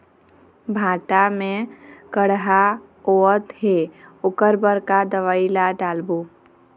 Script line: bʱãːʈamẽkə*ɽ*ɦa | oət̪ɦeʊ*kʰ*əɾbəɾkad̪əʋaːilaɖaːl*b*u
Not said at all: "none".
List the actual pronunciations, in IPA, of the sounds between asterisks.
ɽ, k, b

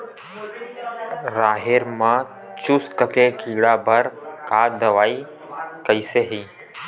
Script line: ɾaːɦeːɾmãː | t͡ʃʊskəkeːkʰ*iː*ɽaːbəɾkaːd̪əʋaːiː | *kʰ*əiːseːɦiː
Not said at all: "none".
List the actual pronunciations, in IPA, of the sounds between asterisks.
iː, k

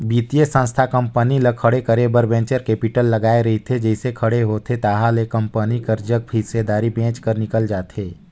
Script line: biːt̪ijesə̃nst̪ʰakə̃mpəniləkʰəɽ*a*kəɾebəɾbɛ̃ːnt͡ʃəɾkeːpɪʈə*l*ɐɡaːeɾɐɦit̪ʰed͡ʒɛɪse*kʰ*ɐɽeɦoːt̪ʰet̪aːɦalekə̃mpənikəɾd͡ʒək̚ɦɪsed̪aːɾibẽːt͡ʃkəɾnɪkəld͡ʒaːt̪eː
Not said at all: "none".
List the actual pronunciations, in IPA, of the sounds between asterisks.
e, lː, kʰ

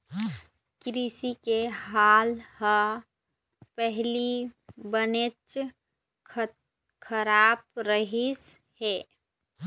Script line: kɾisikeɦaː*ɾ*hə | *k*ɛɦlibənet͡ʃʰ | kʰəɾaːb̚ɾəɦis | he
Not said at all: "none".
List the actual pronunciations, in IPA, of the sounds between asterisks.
l, p

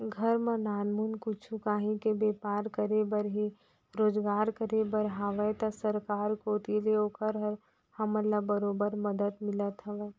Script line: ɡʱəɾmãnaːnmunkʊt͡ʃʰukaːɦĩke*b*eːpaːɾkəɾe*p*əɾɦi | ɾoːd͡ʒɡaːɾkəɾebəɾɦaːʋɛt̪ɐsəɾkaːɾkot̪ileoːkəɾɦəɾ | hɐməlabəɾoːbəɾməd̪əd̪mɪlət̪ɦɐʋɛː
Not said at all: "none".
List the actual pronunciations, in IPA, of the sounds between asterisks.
b, b

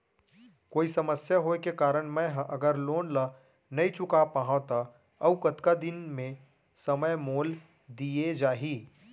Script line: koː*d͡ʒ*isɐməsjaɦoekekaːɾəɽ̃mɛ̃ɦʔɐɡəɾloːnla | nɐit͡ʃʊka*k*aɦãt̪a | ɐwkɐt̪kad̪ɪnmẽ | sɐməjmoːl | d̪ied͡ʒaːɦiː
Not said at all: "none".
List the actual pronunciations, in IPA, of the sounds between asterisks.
none, p

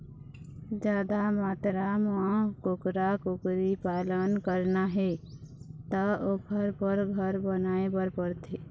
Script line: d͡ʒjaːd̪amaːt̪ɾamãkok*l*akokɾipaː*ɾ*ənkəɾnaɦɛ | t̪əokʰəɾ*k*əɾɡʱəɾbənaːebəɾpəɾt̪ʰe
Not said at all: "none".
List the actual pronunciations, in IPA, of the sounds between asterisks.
ɾ, l, p

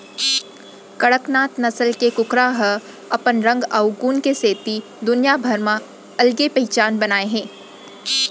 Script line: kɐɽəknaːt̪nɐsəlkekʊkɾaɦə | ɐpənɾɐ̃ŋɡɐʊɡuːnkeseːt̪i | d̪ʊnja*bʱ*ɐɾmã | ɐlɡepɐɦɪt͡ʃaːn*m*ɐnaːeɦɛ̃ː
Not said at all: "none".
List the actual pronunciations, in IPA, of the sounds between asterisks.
bʱ, b

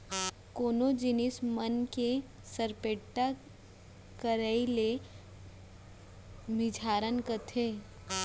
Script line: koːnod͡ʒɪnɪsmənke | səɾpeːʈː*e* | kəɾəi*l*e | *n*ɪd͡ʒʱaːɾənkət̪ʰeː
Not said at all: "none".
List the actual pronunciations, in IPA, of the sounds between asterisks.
a, l, m

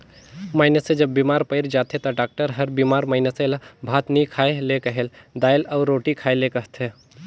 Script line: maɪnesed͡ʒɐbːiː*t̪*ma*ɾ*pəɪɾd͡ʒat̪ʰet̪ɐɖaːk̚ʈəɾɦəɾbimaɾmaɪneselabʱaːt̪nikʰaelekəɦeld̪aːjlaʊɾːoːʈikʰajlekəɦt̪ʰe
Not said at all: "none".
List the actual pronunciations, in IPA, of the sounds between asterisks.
none, ɾ

